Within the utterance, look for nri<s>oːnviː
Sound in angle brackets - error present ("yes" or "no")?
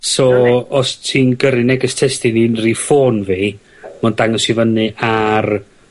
yes